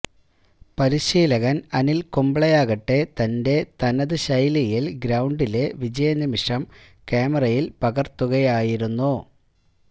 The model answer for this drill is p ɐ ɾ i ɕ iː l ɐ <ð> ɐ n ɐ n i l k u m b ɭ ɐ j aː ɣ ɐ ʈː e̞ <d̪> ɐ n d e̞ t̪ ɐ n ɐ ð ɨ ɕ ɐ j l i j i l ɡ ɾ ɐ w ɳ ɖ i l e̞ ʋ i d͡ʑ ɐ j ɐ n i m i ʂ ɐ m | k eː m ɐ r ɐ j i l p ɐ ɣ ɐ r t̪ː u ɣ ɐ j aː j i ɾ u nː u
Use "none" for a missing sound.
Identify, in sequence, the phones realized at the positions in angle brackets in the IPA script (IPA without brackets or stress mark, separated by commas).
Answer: ɣ, t̪